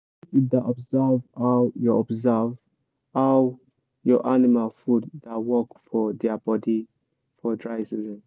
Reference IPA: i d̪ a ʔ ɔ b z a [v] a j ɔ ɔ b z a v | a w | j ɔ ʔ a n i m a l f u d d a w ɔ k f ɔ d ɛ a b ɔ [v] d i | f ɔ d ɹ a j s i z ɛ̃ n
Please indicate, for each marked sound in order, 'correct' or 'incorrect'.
correct, incorrect

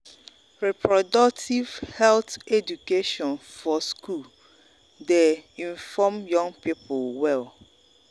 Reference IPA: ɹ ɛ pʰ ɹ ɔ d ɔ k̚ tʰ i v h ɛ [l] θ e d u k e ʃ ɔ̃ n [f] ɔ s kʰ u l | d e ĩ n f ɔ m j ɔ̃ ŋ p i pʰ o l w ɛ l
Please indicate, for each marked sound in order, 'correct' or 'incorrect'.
correct, correct

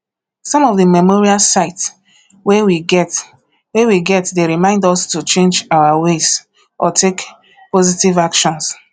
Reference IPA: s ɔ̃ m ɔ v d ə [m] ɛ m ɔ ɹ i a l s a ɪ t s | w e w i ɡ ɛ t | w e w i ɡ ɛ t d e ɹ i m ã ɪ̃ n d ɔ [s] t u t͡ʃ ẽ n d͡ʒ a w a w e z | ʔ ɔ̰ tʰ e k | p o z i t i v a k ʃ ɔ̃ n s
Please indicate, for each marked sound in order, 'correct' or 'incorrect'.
correct, correct

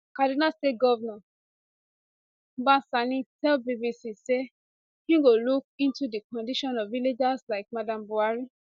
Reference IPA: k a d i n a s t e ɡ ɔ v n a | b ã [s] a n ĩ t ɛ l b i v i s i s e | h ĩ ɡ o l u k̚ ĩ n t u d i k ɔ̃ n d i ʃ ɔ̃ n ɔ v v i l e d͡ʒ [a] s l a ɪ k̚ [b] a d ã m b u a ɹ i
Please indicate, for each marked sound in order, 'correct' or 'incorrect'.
correct, correct, incorrect

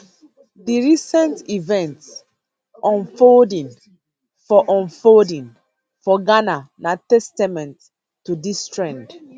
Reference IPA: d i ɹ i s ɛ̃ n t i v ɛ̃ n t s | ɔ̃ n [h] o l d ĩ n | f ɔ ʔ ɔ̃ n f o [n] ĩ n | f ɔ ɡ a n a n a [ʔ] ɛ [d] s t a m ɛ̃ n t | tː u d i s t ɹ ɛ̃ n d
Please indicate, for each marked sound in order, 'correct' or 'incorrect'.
incorrect, incorrect, incorrect, incorrect

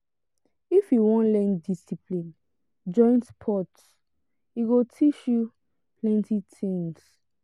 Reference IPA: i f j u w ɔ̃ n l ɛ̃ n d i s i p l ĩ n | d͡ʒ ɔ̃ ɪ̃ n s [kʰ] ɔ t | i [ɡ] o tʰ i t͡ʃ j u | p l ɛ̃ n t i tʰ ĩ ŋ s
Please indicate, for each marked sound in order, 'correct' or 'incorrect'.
incorrect, correct

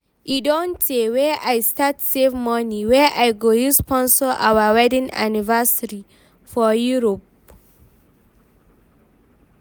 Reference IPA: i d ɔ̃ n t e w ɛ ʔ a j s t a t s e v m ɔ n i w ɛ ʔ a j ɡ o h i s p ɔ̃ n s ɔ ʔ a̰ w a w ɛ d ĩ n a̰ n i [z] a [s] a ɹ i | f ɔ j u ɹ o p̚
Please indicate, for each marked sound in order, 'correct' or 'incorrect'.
incorrect, correct

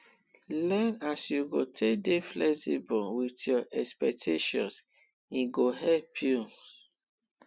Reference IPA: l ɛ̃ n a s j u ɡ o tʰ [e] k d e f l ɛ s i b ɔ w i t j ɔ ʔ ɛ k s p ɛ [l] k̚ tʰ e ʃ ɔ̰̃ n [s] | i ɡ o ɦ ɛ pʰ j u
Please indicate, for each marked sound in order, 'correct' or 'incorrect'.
correct, incorrect, correct

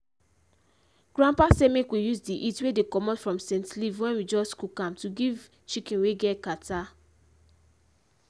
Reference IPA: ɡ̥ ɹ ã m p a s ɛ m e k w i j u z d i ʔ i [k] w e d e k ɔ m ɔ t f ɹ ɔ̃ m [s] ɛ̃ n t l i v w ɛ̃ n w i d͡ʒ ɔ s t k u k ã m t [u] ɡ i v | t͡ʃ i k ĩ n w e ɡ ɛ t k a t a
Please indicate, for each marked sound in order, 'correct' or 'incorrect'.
incorrect, correct, correct

